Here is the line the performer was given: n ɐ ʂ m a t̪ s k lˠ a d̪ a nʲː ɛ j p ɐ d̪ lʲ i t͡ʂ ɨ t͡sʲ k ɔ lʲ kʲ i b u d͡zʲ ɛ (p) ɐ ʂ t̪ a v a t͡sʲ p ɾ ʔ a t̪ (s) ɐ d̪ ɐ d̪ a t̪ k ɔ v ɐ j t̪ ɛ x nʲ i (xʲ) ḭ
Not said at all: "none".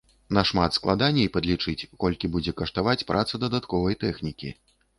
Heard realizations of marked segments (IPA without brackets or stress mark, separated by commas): k, s, kʲ